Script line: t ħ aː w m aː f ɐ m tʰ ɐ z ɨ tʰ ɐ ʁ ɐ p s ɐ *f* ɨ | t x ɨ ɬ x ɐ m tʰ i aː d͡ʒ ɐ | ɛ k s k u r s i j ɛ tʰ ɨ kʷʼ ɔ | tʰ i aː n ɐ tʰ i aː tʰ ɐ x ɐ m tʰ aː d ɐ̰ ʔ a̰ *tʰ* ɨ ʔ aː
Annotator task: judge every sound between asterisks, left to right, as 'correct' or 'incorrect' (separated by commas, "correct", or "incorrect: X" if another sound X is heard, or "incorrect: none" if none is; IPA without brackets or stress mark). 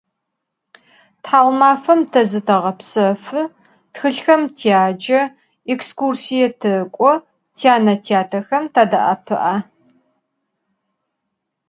correct, incorrect: pʰ